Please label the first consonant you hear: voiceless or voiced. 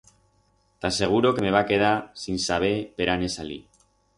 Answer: voiceless